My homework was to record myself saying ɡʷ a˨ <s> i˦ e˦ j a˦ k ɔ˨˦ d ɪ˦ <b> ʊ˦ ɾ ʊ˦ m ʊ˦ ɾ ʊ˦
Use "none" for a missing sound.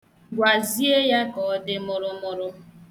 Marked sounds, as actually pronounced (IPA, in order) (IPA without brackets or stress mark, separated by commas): z, m